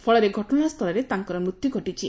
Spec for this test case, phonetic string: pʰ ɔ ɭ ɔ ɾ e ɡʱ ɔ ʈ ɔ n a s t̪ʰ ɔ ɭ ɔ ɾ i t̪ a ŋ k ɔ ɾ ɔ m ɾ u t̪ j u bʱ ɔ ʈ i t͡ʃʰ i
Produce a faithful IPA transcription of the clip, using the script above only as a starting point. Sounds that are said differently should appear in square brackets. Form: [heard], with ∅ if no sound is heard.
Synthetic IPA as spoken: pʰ ɔ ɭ ɔ ɾ e ɡʱ ɔ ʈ ɔ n a s t̪ʰ ɔ [l] ɔ ɾ [e] t̪ a ŋ k ɔ ɾ ɔ m ɾ u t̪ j u [ɡʱ] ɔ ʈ i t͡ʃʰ i